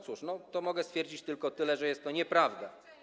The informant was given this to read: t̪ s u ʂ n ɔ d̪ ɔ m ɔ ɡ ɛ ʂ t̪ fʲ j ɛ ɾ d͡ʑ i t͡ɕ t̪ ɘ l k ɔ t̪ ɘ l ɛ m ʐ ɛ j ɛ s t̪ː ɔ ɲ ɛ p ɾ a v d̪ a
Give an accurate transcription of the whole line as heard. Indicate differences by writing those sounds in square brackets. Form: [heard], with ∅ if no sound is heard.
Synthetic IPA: t̪ s u ʂ n ɔ [t̪] ɔ m ɔ ɡ ɛ [s] t̪ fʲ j ɛ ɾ d͡ʑ i t͡ɕ t̪ ɘ l k ɔ t̪ ɘ l ɛ [∅] ʐ ɛ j ɛ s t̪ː ɔ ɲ ɛ p ɾ a v d̪ a